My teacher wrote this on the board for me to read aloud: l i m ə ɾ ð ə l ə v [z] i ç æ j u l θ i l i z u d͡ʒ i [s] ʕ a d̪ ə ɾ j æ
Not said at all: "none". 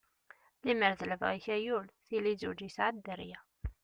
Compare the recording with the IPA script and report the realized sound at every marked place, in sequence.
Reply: ʁ, s

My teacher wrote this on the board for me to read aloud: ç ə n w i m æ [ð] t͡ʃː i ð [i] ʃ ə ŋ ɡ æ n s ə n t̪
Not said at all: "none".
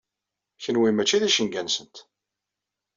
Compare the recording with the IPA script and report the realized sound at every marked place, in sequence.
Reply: none, æ

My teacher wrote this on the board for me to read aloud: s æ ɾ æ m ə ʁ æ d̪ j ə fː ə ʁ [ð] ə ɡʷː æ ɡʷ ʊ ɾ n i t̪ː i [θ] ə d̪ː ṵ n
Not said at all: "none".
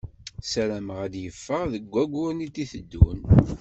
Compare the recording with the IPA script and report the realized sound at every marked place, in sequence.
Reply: ð, θ

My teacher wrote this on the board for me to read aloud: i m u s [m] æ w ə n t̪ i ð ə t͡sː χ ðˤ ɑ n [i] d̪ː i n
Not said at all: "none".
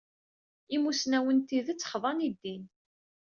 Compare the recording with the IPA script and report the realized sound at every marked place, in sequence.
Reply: n, i

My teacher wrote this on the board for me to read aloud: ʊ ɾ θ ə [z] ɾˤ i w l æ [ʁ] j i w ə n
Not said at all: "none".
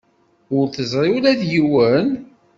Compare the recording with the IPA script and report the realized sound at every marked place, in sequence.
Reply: z, ð

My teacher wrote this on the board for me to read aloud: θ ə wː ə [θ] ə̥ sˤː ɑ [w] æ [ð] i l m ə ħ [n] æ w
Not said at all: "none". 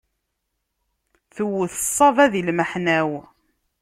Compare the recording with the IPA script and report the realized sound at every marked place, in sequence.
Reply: θ, v, ð, n

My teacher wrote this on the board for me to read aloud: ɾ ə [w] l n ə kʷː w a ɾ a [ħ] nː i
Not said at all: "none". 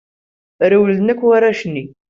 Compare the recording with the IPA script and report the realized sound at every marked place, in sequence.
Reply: w, ʃ

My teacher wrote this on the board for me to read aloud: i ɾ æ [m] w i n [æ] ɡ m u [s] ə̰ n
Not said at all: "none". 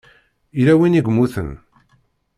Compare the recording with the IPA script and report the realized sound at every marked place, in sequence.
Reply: none, i, θ

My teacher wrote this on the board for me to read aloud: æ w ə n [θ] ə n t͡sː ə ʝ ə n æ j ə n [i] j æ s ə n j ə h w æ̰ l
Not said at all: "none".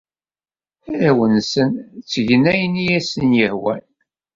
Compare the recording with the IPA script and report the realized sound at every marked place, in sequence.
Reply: s, i

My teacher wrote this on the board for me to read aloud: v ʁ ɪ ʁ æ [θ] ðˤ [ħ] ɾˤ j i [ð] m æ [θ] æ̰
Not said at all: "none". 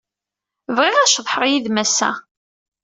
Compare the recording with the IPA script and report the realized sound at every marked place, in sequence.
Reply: ʃ, ħ, ð, s

